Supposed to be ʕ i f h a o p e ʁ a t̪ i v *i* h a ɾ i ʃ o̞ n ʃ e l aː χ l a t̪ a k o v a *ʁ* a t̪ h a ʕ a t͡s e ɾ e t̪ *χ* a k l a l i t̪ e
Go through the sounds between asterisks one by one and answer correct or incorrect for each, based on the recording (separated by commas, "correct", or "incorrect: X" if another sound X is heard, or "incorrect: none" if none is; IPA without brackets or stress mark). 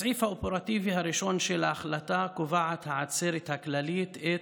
correct, incorrect: ʕ, incorrect: h